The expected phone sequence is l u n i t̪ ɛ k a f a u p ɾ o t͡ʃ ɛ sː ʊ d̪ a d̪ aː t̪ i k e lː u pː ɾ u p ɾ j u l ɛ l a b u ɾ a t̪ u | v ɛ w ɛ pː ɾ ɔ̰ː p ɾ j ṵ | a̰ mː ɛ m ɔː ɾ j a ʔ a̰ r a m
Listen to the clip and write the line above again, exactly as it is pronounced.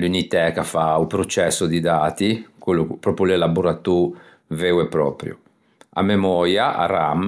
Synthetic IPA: l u n i t̪ ɛ k a f a u p ɾ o t͡ʃ ɛ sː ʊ d̪ i d̪ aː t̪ i k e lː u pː ɾ ɔ p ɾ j u l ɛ l a b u ɾ a t̪ u | v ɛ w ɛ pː ɾ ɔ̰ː p ɾ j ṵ | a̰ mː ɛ m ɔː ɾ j a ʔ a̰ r a m